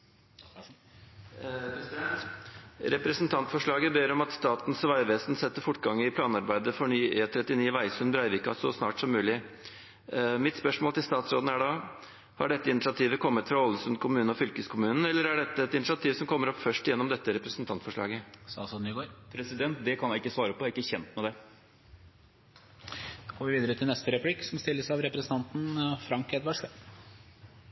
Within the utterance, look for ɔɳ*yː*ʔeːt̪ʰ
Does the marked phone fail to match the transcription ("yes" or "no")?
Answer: no